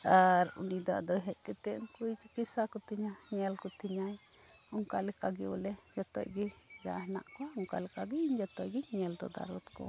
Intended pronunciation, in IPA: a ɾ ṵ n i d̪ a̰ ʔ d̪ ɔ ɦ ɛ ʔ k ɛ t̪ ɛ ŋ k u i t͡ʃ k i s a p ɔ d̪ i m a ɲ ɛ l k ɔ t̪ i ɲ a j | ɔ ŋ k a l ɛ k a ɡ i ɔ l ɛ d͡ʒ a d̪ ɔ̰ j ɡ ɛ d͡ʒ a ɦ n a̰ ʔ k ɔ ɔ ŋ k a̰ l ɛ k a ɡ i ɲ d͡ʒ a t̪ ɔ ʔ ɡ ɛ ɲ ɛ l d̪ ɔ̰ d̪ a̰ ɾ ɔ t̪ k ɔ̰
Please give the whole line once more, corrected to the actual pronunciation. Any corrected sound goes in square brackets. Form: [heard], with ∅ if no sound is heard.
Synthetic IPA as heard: a ɾ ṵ n i d̪ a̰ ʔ d̪ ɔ ɦ ɛ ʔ k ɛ t̪ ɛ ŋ k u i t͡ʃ k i s a [k] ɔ [t̪] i [ɲ] a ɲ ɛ l k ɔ t̪ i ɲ a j | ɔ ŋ k a l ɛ k a ɡ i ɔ l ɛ d͡ʒ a [t̪] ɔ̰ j ɡ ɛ d͡ʒ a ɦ n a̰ ʔ k ɔ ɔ ŋ k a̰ l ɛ k a ɡ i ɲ d͡ʒ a t̪ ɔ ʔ ɡ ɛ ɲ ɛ l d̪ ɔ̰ d̪ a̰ ɾ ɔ t̪ k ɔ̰